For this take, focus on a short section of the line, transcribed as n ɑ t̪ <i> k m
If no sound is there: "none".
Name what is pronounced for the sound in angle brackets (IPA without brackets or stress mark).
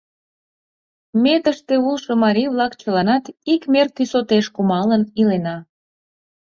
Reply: i